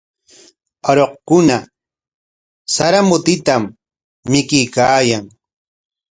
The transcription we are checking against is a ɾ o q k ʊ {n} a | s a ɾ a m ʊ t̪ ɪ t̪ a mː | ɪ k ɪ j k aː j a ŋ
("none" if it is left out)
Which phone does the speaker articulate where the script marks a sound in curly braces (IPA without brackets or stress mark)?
n